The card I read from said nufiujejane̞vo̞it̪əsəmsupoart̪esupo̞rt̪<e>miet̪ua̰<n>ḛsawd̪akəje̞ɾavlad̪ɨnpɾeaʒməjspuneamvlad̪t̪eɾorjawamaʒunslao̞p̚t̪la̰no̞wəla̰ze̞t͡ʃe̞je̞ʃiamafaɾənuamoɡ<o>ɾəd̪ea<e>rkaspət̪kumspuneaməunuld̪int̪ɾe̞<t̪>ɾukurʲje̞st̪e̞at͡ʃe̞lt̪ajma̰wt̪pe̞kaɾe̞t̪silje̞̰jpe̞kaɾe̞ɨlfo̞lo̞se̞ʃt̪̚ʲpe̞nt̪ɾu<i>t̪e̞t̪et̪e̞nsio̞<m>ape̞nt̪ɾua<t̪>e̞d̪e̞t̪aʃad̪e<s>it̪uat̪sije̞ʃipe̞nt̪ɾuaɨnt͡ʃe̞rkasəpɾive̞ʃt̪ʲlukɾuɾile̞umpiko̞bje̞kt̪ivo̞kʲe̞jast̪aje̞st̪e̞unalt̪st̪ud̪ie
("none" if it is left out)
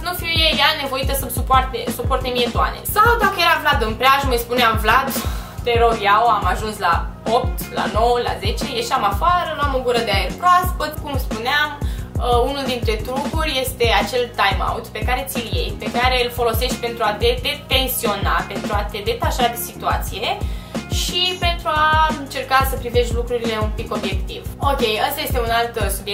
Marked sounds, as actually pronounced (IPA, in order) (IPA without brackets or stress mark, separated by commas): e, n, u, e, t̪, a, n, t̪, s